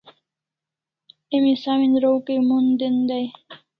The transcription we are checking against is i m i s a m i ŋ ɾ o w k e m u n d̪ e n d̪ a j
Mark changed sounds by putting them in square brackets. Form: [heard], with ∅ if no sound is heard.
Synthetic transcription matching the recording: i m i s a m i [n] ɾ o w k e m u n d̪ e n d̪ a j